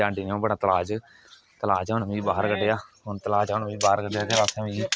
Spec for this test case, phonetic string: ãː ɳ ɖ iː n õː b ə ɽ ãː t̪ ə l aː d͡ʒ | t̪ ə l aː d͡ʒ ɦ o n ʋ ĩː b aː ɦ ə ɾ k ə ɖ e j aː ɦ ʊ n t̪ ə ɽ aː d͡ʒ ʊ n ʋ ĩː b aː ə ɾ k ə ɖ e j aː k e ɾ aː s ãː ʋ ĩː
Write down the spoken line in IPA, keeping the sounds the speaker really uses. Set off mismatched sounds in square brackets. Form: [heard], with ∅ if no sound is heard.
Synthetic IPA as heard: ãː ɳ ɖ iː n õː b ə ɽ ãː t̪ ə l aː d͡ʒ | t̪ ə l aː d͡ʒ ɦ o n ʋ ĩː b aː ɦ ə ɾ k ə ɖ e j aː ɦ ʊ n t̪ ə [l] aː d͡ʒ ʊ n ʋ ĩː b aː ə ɾ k ə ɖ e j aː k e ɾ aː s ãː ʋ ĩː